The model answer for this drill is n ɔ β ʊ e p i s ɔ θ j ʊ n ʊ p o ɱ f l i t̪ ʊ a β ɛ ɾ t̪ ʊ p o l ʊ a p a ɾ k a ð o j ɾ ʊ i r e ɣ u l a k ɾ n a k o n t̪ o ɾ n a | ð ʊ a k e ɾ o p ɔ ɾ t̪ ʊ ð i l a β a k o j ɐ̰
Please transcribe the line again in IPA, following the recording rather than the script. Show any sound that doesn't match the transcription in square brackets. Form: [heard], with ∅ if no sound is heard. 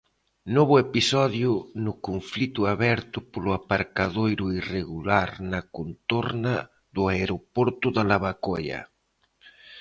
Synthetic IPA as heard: n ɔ β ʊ e p i s ɔ [ð] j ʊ n ʊ [k] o ɱ f l i t̪ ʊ a β ɛ ɾ t̪ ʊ p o l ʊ a p a ɾ k a ð o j ɾ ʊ i r e ɣ u l a [∅] ɾ n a k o n t̪ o ɾ n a | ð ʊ a [∅] e ɾ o p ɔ ɾ t̪ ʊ ð [a] l a β a k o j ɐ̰